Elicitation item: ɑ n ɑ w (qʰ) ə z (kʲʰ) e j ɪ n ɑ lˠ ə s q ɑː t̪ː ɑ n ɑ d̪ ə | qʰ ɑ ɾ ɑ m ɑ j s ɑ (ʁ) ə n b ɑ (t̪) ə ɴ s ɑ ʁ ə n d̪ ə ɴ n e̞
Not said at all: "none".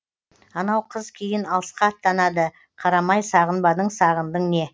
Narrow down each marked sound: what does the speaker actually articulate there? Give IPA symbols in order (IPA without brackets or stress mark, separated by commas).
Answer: qʰ, kʲʰ, ʁ, d̪